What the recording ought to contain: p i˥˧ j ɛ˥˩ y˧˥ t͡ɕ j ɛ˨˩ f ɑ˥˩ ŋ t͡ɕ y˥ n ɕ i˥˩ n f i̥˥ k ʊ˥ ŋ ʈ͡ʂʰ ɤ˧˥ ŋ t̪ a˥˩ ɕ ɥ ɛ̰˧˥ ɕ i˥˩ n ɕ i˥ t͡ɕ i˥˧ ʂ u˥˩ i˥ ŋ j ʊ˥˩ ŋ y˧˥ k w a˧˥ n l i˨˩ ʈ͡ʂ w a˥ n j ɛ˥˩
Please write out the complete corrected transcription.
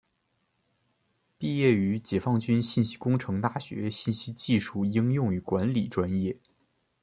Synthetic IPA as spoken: p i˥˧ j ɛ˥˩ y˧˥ t͡ɕ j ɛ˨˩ f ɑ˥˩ ŋ t͡ɕ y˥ n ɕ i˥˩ n ɕ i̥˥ k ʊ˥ ŋ ʈ͡ʂʰ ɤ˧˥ ŋ t̪ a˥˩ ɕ ɥ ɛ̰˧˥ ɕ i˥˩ n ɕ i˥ t͡ɕ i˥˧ ʂ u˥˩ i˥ ŋ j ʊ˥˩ ŋ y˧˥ k w a˧˥ n l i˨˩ ʈ͡ʂ w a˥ n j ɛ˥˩